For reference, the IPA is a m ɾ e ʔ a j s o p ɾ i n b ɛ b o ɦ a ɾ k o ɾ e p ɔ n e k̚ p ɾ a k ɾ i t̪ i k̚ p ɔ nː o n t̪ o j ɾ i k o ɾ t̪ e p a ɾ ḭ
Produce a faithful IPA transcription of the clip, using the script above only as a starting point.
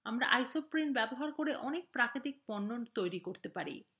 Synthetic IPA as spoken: a m ɾ a ʔ a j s o p ɾ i n b ɛ b o ɦ a ɾ k o ɾ e ʔ ɔ n e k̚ p ɾ a k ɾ i t̪ i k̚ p ɔ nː o n t̪ o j ɾ i k o ɾ t̪ e p a ɾ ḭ